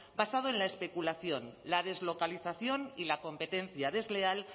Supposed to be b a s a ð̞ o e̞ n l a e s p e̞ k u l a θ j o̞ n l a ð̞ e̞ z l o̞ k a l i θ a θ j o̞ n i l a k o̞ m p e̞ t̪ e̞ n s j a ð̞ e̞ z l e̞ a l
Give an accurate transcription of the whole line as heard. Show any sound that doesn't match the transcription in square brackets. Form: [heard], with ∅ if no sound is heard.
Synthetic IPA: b a s a ð̞ o e̞ n l a e s p e̞ k u l a θ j o̞ n l a ð̞ e̞ z l o̞ k a l i θ a θ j o̞ n i l a k o̞ m p e̞ t̪ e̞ n [θ] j a ð̞ e̞ z l e̞ a l